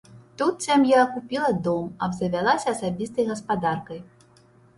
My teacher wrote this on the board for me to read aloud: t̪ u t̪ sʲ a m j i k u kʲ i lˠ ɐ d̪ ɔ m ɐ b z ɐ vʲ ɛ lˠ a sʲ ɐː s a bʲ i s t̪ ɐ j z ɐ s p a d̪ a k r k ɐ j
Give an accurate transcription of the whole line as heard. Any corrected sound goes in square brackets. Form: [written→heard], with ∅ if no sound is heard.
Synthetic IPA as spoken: t̪ u t̪ sʲ a m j [i→a] k u [kʲ→pʲ] i lˠ ɐ d̪ ɔ m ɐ b z ɐ vʲ [ɛ→a] lˠ a sʲ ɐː s a bʲ i s t̪ ɐ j [z→ɣ] ɐ s p a d̪ a [k→∅] r k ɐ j